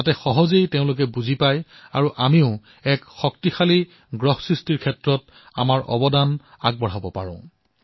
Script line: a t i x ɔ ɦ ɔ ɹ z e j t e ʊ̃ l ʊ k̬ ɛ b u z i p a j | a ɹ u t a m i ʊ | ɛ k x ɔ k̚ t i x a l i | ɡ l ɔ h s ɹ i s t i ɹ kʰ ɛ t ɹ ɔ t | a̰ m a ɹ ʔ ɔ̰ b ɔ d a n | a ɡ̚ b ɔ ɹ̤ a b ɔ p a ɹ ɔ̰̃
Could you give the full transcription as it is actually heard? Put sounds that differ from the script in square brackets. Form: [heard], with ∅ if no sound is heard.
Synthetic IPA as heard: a t [ɛ] x ɔ ɦ ɔ [∅] z e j t e ʊ̃ l ʊ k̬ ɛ b u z i p a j | a ɹ u [ʔ] a m i ʊ | ɛ k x ɔ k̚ t i x a l i | ɡ [ɹ] ɔ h s ɹ i s t i ɹ kʰ ɛ t ɹ ɔ t | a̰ m a ɹ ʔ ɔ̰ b ɔ d a n | a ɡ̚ b ɔ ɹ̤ a b ɔ p a ɹ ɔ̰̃